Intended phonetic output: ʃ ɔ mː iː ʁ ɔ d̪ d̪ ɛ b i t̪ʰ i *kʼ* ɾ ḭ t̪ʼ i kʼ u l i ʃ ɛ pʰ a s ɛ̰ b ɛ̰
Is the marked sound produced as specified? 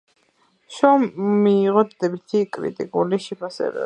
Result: yes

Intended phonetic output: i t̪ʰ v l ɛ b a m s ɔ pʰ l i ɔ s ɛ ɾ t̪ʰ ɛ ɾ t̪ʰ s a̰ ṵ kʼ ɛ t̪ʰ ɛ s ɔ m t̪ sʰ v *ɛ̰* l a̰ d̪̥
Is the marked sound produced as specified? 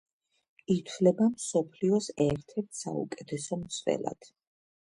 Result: yes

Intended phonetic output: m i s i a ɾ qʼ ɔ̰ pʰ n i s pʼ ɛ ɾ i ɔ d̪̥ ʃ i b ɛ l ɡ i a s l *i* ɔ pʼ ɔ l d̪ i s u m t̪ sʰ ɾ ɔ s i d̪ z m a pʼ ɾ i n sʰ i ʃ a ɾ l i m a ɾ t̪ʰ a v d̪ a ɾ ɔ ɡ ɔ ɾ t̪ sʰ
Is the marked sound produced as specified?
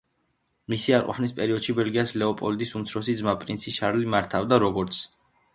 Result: no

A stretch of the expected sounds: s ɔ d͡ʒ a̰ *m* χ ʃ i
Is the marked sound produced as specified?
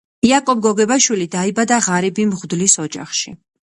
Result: no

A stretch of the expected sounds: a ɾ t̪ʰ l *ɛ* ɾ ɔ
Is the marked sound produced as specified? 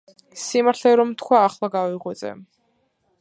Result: yes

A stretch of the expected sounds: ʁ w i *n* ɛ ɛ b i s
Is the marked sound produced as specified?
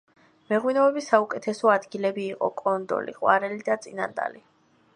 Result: yes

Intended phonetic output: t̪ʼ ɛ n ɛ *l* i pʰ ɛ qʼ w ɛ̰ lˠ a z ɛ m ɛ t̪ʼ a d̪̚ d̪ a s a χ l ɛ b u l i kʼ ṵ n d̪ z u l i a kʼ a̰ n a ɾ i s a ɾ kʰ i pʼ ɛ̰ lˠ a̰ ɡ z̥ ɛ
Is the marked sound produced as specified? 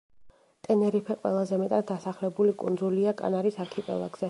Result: no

